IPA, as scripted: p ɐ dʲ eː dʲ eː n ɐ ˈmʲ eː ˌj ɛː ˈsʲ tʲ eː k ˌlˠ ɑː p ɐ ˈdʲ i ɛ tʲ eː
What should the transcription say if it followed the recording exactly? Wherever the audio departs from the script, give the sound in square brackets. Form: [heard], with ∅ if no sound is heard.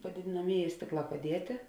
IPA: p ɐ dʲ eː dʲ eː n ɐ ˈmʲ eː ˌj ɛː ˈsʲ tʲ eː k ˌlˠ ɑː p ɐ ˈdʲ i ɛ tʲ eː